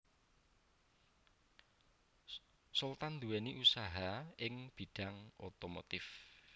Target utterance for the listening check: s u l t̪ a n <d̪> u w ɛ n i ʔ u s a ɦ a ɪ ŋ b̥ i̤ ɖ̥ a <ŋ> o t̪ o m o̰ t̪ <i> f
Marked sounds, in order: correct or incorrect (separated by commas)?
correct, correct, incorrect